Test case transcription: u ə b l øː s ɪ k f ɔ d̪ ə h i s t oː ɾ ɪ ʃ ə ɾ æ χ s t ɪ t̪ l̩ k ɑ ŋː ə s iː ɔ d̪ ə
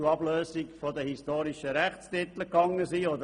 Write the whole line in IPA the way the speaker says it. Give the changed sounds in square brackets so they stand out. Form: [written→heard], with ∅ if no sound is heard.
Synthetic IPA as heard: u [ə→ɑ] b l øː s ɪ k f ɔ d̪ ə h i s t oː ɾ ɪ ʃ ə ɾ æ χ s t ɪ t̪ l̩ k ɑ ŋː ə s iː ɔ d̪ ə